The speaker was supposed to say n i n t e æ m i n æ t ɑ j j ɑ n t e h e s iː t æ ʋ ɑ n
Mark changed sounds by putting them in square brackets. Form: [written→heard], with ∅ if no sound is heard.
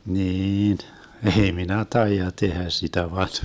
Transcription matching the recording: n [i→iː] n [t→ʔ] e [æ→i] m i n æ t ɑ [j→i] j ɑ [n→∅] t e h [e→æ] s [iː→i] t æ ʋ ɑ n